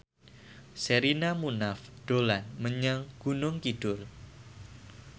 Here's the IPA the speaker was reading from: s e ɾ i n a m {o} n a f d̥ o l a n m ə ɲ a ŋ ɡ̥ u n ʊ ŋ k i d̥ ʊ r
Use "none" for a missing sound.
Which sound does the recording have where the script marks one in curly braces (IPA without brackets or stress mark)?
u